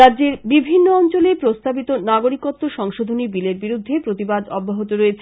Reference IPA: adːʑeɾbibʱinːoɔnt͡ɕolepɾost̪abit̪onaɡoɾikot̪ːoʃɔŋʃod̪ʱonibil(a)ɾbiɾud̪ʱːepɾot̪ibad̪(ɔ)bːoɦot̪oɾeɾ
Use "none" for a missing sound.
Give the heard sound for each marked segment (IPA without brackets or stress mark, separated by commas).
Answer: e, ɔ